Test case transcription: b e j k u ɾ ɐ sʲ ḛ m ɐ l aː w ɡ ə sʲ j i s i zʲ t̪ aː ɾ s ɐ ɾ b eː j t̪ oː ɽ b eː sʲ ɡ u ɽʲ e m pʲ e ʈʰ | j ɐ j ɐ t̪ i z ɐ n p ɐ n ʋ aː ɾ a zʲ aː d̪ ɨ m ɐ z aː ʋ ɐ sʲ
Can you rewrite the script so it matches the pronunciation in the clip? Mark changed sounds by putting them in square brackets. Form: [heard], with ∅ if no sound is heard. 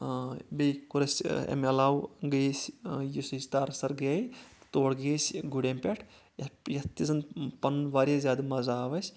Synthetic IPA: b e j k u ɾ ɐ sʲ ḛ m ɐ l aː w ɡ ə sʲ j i s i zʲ t̪ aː ɾ s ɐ ɾ [ɡ] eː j t̪ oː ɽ [ɡ] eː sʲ ɡ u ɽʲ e m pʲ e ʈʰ | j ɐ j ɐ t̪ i z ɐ n p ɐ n ʋ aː ɾ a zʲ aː d̪ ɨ m ɐ z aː ʋ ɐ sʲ